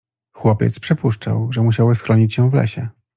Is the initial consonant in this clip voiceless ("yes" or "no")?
yes